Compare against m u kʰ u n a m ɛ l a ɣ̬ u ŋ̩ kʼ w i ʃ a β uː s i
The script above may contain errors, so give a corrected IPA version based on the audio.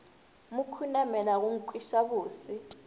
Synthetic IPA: m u kʰ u n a m ɛ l a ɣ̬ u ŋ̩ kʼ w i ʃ a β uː s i